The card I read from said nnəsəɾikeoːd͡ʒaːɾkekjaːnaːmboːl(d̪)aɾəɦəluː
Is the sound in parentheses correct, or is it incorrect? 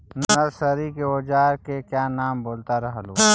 incorrect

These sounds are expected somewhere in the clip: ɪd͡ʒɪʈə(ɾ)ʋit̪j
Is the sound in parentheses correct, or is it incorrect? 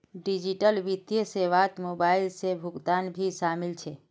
incorrect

